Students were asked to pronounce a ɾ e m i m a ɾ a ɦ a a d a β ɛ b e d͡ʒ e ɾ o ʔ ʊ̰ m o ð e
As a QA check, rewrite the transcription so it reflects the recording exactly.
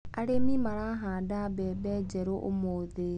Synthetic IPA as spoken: a ɾ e m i m a ɾ a ɦ a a d a b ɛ b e d͡ʒ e ɾ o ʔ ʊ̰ m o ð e